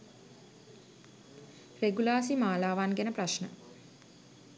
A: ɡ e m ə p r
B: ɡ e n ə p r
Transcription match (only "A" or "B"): B